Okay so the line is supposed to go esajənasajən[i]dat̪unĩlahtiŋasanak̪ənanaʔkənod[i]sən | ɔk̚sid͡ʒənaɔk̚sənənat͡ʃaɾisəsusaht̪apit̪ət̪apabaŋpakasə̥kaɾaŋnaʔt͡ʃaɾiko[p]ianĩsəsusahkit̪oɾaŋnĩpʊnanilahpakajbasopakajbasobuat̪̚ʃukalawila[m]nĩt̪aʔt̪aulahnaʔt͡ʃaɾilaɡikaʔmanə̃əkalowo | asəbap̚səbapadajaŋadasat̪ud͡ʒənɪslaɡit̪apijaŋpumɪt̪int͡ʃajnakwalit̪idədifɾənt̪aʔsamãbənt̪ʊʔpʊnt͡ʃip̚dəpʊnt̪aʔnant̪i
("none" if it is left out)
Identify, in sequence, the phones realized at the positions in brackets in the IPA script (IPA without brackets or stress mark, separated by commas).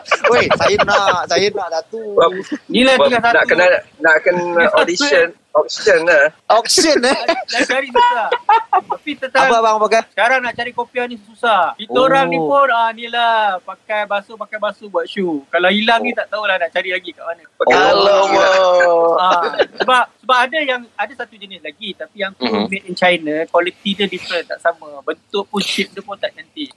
a, i, p, ŋ